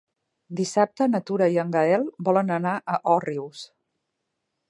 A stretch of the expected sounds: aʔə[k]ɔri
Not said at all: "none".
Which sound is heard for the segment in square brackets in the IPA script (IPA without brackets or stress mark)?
ʔ